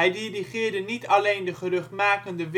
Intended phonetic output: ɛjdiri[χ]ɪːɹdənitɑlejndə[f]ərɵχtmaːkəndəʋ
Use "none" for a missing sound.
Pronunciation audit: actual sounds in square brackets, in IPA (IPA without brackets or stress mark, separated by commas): χ, χ